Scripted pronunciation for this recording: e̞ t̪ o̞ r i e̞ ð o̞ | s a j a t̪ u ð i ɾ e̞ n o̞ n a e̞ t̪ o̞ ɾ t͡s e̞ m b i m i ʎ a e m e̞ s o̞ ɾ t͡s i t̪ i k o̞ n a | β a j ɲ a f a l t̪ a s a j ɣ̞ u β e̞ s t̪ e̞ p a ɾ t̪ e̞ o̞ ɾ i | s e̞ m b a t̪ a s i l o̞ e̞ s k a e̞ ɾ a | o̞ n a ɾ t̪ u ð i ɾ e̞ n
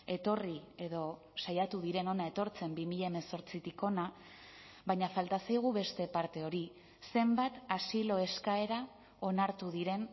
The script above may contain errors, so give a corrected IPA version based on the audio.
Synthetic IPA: e̞ t̪ o̞ r i e̞ ð o̞ | s a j a t̪ u ð i ɾ e̞ n o̞ n a e̞ t̪ o̞ ɾ t͡s e̞ m b i m i ʎ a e m e̞ s o̞ ɾ t͡s i t̪ i k o̞ n a | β a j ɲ a f a l t̪ a s a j ɣ̞ u β e̞ s t̪ e̞ p a ɾ t̪ e̞ o̞ ɾ i | s e̞ m b a t̪ a s i l o̞ e̞ s k a e̞ ɾ a | o̞ n a ɾ t̪ u ð i ɾ e̞ n